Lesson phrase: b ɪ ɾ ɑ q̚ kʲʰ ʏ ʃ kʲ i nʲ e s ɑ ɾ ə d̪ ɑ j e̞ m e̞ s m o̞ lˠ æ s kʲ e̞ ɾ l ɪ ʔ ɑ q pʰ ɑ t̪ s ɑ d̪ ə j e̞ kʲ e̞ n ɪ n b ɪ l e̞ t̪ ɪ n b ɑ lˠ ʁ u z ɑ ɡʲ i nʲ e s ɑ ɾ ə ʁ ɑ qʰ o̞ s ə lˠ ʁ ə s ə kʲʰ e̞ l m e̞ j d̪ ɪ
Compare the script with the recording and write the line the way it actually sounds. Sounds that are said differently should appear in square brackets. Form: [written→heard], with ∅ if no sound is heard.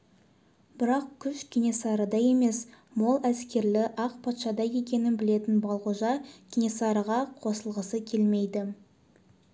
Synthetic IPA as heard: b ɪ ɾ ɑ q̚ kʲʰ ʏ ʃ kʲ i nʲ e s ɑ ɾ ə d̪ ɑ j e̞ m e̞ s m o̞ lˠ æ s kʲ e̞ ɾ l ɪ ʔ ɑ q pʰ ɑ t̪ [s→ʃ] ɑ d̪ [ə→ɑ] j e̞ kʲ e̞ n ɪ n b ɪ l e̞ t̪ ɪ n b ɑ lˠ ʁ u [z→ʒ] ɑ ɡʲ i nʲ e s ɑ ɾ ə ʁ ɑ qʰ o̞ s ə lˠ ʁ ə s ə kʲʰ e̞ l m e̞ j d̪ ɪ